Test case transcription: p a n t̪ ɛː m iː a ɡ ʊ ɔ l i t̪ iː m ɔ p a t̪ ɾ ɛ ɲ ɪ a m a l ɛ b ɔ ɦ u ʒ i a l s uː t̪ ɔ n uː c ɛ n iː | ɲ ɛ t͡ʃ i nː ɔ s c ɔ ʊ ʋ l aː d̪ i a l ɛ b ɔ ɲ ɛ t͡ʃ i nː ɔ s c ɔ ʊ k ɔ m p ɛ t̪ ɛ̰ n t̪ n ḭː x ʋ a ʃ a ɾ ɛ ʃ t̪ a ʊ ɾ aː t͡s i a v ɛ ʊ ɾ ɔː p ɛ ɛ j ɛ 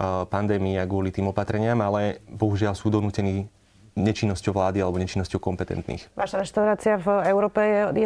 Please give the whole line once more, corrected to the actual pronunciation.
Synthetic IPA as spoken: p a n d̪ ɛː m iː a ɡ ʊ ɔ l i t̪ iː m ɔ p a t̪ ɾ ɛ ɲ ɪ a m a l ɛ b ɔ ɦ u ʒ ɪ a l s uː d̪ ɔ n uː c ɛ n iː | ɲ ɛ t͡ʃ i nː ɔ s c ɔ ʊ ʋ l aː d̪ i a l ɛ b ɔ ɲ ɛ t͡ʃ i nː ɔ s c ɔ ʊ k ɔ m p ɛ t̪ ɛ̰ n t̪ n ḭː x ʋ a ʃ a ɾ ɛ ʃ t̪ a ʊ ɾ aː t͡s i a v ɛ ʊ ɾ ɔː p ɛ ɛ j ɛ